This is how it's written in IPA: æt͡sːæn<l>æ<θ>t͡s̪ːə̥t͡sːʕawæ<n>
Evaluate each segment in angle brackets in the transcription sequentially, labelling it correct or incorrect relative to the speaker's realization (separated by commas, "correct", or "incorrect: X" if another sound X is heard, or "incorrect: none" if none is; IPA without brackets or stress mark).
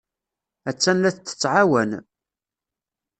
correct, correct, correct